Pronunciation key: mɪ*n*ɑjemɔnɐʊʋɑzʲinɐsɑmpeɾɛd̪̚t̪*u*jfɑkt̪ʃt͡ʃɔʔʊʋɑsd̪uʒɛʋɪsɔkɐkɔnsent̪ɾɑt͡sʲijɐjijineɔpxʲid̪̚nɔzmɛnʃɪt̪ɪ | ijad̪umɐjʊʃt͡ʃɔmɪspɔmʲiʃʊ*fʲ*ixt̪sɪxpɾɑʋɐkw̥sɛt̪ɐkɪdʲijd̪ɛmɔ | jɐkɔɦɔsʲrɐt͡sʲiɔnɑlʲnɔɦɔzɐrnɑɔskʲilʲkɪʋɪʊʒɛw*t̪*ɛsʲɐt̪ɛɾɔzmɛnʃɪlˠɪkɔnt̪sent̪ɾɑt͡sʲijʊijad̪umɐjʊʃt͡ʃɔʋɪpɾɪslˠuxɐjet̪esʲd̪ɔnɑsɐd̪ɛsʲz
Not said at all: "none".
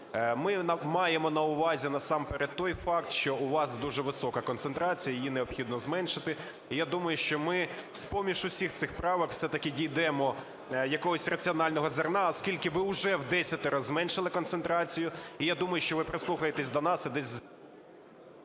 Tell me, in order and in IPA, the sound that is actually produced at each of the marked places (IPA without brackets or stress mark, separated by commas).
m, ɔ, sʲ, d̪